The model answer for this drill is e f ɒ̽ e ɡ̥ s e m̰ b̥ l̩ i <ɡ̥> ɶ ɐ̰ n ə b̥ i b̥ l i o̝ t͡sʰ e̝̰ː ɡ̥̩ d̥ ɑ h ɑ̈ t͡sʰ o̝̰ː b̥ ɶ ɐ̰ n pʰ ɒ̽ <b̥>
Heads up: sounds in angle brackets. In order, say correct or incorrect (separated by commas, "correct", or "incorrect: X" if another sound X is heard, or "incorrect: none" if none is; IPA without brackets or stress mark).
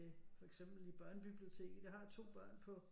incorrect: b̥, incorrect: none